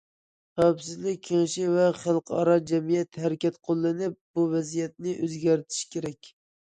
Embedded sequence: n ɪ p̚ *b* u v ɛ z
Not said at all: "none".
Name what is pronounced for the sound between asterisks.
b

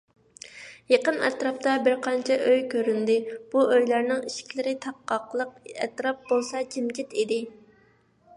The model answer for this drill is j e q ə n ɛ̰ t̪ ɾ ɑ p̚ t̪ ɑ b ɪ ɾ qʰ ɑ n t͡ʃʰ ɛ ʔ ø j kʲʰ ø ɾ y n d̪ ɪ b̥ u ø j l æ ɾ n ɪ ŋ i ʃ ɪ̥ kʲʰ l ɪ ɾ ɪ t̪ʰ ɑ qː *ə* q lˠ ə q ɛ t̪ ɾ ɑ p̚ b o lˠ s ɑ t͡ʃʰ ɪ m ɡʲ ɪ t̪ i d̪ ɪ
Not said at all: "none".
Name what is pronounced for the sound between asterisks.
ɑ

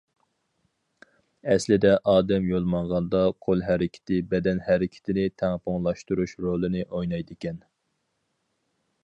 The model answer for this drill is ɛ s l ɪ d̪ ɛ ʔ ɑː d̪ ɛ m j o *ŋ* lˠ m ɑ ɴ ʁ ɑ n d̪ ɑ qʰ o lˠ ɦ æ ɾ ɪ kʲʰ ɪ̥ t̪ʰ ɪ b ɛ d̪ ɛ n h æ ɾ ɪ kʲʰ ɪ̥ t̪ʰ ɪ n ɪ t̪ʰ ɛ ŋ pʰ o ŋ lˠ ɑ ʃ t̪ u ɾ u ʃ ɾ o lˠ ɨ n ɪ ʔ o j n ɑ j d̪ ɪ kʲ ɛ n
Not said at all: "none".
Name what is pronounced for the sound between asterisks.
none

